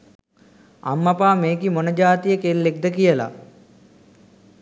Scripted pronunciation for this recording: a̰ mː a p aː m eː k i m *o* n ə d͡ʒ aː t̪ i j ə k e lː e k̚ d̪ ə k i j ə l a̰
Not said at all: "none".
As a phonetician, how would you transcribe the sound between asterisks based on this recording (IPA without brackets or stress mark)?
o